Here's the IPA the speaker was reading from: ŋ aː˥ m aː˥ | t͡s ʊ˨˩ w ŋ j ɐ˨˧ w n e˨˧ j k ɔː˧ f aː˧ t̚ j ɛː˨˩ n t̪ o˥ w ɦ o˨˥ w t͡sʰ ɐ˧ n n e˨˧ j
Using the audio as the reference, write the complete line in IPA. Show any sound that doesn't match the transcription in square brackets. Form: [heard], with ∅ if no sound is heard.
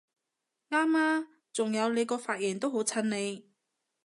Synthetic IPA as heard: ŋ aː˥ m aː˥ | t͡s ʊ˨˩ [∅] ŋ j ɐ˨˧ w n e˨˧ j k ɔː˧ f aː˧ t̚ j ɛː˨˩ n t̪ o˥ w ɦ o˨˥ w t͡sʰ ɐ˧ n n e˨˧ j